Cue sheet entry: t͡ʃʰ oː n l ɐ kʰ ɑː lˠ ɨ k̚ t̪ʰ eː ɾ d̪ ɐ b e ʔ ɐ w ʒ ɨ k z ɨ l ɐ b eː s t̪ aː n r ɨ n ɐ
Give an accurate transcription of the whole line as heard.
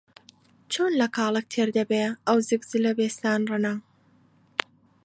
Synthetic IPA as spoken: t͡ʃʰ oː n l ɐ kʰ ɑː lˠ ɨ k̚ t̪ʰ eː ɾ d̪ ɐ b e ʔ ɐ w z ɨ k z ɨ l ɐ b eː s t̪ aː n r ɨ n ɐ